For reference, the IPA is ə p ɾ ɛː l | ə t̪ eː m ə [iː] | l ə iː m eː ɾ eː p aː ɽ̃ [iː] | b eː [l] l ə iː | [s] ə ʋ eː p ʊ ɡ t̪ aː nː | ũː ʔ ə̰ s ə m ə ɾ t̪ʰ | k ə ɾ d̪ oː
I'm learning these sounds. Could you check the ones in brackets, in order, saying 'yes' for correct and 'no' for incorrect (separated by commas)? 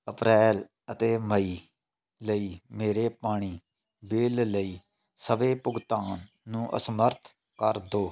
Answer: yes, yes, yes, yes